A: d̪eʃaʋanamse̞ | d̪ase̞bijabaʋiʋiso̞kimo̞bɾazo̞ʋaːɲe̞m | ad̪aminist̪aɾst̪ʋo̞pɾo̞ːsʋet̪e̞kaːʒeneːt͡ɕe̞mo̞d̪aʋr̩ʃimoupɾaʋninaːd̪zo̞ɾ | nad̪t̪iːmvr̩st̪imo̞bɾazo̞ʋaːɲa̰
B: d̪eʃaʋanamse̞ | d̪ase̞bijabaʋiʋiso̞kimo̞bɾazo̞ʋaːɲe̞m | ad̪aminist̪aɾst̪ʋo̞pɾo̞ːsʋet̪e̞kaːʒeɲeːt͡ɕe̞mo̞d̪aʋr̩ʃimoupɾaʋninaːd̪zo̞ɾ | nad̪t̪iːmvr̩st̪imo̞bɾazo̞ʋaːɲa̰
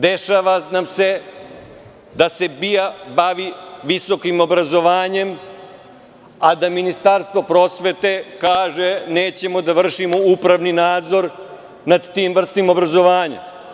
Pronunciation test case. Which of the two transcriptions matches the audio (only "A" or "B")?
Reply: A